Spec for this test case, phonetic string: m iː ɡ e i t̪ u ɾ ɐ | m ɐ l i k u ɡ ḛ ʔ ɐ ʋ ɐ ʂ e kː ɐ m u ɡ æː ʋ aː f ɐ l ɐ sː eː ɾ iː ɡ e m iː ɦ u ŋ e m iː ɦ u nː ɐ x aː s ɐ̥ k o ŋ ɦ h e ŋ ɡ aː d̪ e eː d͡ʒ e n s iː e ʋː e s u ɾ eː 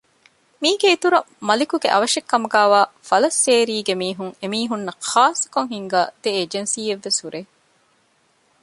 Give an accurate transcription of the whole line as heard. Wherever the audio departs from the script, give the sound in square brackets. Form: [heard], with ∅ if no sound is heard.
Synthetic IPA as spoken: m iː ɡ e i t̪ u ɾ ɐ | m ɐ l i k u ɡ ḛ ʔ ɐ ʋ ɐ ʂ e kː ɐ m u ɡ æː ʋ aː f ɐ l ɐ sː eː ɾ iː ɡ e m iː ɦ u ŋ e m iː ɦ u nː ɐ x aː s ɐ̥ k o ŋ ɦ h [i] ŋ ɡ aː d̪ e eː d͡ʒ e n s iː e ʋː e s u ɾ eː